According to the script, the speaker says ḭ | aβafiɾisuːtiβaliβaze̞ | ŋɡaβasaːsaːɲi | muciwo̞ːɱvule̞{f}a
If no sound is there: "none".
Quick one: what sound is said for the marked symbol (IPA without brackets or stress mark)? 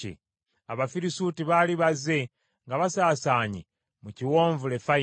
f